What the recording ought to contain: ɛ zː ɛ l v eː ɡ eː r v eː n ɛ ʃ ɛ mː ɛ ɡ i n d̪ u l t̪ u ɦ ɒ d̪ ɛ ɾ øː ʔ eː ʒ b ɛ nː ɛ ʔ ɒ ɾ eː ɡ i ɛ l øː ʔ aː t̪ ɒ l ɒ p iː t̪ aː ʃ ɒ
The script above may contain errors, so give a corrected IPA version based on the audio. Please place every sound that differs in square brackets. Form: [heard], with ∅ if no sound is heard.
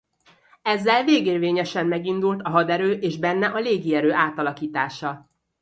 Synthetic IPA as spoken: ɛ zː ɛ l v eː ɡ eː r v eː [ɲ] ɛ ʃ ɛ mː ɛ ɡ i n d̪ u l t̪ [ɒ] ɦ ɒ d̪ ɛ ɾ øː ʔ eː ʒ b ɛ nː ɛ ʔ ɒ [l] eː ɡ i ɛ [ɾ] øː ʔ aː t̪ ɒ l ɒ [k] iː t̪ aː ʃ ɒ

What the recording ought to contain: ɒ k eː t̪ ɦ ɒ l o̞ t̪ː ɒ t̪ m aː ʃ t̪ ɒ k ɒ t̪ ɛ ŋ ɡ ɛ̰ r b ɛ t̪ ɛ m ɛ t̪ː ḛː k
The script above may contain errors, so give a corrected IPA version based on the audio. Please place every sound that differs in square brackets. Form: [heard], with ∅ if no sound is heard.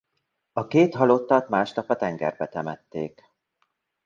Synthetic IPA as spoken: ɒ k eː t̪ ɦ ɒ l o̞ t̪ː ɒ t̪ m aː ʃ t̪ ɒ [p] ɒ t̪ ɛ ŋ ɡ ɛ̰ r b ɛ t̪ ɛ m ɛ t̪ː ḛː k

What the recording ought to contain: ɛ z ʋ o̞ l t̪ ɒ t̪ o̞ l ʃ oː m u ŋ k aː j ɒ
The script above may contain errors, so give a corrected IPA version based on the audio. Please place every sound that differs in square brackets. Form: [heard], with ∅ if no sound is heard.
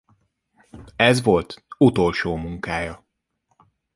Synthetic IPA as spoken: ɛ z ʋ o̞ l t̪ [u] t̪ o̞ l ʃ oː m u ŋ k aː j ɒ

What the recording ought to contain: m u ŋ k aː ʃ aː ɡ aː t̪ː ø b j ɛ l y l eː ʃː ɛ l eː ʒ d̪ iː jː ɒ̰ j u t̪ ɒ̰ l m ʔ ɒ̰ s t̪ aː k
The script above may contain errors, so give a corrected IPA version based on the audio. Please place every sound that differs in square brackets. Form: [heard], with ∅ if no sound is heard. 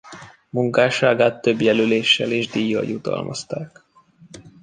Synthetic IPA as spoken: m u ŋ k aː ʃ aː ɡ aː t̪ː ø b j ɛ l y l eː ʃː ɛ l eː ʒ d̪ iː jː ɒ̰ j u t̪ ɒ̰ l m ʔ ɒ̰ s t̪ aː k

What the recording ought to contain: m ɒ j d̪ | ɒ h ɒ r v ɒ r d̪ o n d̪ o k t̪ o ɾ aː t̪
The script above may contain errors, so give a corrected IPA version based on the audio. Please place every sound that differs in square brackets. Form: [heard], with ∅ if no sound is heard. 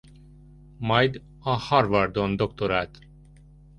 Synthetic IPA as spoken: m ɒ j d̪ | ɒ h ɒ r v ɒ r d̪ o n d̪ o k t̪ o ɾ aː t̪

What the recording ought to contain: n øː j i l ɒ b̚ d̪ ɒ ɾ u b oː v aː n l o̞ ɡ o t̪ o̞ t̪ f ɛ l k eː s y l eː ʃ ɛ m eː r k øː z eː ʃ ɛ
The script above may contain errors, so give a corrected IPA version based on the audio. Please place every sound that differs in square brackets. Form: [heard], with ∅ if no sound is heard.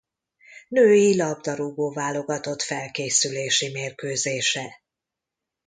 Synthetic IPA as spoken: n øː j i l ɒ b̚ d̪ ɒ ɾ u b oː v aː [∅] l o̞ ɡ [ɒ] t̪ o̞ t̪ f ɛ l k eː s y l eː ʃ [i] m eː r k øː z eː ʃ ɛ

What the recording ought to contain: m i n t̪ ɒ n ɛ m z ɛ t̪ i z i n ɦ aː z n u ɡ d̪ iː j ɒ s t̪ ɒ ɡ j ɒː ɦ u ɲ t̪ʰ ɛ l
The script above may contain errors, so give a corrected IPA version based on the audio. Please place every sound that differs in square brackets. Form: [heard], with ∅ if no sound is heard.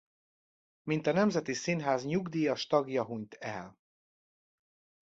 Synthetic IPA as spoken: m i n t̪ ɒ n ɛ m z ɛ t̪ i [s] i n ɦ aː z [ɲ] u ɡ d̪ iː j ɒ [ʃ] t̪ ɒ ɡ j [ɒ] ɦ u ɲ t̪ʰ ɛ l

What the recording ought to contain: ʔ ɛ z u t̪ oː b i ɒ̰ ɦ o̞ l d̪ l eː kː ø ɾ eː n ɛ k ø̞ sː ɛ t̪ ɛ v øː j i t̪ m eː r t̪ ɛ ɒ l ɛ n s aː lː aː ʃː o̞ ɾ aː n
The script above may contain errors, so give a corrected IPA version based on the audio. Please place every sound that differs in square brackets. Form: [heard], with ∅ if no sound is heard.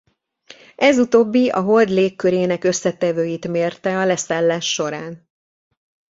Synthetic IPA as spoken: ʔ ɛ z u t̪ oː [bː] i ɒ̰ ɦ o̞ l d̪ l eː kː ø ɾ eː n ɛ k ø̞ sː ɛ t̪ ɛ v øː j i t̪ m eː r t̪ ɛ ɒ l ɛ [∅] s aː lː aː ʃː o̞ ɾ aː n

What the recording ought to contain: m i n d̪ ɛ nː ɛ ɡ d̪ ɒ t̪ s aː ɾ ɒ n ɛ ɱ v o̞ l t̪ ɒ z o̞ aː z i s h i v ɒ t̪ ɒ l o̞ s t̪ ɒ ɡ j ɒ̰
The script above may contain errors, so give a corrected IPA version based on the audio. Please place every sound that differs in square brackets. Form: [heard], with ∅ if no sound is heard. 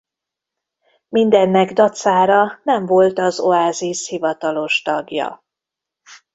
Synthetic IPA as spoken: m i n d̪ ɛ nː ɛ ɡ d̪ ɒ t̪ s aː ɾ ɒ n ɛ ɱ v o̞ l t̪ ɒ z o̞ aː z i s h i v ɒ t̪ ɒ l o̞ [ʃ] t̪ ɒ ɡ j ɒ̰

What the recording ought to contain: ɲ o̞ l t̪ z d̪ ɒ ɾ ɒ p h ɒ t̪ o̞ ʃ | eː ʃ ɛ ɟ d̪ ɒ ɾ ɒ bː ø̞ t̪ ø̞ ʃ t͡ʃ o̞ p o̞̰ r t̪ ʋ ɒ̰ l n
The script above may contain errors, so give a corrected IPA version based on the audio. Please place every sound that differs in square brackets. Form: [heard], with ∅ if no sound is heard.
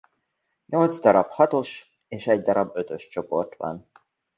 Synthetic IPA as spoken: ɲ o̞ l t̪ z d̪ ɒ ɾ ɒ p h ɒ t̪ o̞ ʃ | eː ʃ ɛ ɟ d̪ ɒ ɾ ɒ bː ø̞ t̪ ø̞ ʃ t͡ʃ o̞ p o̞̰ r t̪ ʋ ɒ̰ [∅] n

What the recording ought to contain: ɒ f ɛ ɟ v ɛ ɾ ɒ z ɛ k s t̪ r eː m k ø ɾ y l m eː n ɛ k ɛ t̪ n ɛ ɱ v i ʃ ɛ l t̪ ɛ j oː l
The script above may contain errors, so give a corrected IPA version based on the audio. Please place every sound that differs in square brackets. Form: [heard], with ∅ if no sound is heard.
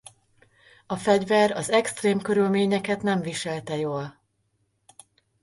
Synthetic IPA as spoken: ɒ f ɛ ɟ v ɛ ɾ ɒ z ɛ k s t̪ r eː m k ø ɾ y l m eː [ɲ] ɛ k ɛ t̪ n ɛ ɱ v i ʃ ɛ l t̪ ɛ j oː l

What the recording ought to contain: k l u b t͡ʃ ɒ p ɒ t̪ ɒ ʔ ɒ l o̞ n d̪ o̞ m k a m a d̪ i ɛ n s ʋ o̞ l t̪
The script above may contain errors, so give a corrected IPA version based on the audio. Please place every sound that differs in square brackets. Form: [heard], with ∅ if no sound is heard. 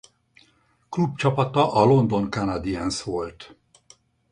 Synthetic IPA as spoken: k l u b t͡ʃ ɒ p ɒ t̪ ɒ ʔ ɒ l o̞ n d̪ o̞ [ŋ] k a [n] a d̪ i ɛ n s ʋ o̞ l t̪

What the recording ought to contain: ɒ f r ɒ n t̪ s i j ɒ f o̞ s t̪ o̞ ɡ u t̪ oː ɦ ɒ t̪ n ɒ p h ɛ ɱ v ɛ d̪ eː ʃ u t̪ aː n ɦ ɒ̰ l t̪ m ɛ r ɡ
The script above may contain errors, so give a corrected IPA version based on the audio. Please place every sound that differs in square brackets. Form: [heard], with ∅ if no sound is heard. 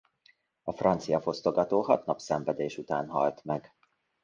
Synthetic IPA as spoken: ɒ f r ɒ n t̪ s i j ɒ f o̞ s t̪ o̞ ɡ [ɒ] t̪ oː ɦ ɒ t̪ n ɒ p [s] ɛ ɱ v ɛ d̪ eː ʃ u t̪ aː n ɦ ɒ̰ l t̪ m ɛ [∅] ɡ

